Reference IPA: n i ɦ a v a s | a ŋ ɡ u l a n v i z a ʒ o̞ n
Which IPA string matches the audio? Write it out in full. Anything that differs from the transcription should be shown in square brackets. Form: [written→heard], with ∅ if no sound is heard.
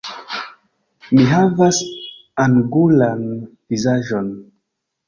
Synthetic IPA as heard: [n→m] i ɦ a v a s | a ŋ ɡ u l a n v i z a ʒ o̞ n